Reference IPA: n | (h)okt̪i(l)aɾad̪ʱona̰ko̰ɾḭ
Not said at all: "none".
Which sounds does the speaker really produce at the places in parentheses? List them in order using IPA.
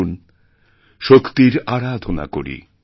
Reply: ʃ, ɾ

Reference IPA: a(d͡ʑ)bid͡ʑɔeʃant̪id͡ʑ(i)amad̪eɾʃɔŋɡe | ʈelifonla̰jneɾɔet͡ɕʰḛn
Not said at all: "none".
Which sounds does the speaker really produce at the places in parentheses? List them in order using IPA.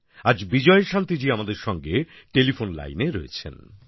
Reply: d͡ʑ, i

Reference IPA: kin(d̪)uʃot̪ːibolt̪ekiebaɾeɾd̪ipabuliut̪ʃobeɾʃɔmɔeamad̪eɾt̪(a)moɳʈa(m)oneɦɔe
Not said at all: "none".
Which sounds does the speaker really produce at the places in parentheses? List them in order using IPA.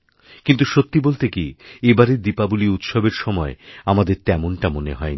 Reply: t̪, ɛ, m

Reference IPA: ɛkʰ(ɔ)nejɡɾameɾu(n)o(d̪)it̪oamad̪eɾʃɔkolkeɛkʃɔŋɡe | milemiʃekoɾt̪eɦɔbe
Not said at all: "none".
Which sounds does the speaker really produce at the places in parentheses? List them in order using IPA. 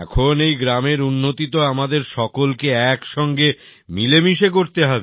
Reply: o, nː, t̪

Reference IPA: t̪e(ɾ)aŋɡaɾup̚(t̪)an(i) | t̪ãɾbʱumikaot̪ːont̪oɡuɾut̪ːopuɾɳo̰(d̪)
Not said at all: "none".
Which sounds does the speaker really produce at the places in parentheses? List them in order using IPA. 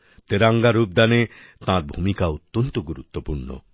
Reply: ɾ, d̪, e, none

